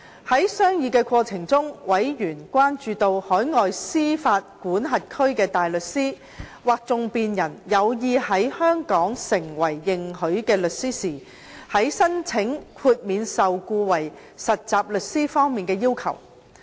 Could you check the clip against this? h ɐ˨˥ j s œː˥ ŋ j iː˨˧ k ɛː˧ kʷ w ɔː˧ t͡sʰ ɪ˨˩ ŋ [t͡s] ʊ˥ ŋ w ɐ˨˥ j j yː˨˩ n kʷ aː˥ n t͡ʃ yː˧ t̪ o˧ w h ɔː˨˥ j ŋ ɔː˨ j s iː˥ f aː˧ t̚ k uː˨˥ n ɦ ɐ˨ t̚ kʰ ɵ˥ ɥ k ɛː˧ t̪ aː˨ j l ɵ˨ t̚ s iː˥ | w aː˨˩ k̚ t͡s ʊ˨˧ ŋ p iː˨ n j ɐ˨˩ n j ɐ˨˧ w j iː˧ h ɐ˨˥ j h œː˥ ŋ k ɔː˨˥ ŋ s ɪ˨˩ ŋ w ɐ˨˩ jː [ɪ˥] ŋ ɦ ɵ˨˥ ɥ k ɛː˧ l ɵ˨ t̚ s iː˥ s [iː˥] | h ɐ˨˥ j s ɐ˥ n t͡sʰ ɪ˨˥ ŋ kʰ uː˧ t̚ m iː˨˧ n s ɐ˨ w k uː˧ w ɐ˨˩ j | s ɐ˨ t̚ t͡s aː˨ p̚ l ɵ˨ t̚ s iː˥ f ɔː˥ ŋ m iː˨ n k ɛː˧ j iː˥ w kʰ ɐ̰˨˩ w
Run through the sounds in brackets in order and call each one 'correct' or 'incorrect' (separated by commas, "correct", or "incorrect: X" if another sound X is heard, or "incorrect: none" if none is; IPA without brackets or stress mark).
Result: correct, incorrect: ɪ˨, incorrect: iː˨˩